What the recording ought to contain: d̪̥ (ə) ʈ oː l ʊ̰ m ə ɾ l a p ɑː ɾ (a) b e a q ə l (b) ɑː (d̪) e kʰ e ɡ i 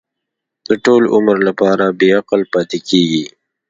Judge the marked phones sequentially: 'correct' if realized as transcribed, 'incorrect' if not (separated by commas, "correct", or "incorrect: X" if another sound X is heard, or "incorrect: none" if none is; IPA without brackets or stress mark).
correct, correct, incorrect: p, incorrect: t̪